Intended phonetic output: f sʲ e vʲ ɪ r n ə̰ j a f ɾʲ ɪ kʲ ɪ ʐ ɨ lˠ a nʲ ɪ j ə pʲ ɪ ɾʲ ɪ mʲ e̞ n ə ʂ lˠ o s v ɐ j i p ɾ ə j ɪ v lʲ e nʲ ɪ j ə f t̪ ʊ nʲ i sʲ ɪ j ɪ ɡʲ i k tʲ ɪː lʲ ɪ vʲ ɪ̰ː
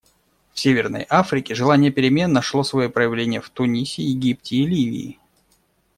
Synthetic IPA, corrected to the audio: f sʲ e vʲ ɪ r n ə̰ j a f ɾʲ ɪ kʲ ɪ ʐ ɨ lˠ a nʲ ɪ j ə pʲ ɪ ɾʲ ɪ mʲ e̞ nː ə ʂ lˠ o s v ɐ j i p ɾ ə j ɪ v lʲ e nʲ ɪ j ə f t̪ ʊ nʲ i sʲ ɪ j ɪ ɡʲ i p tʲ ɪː lʲ i vʲ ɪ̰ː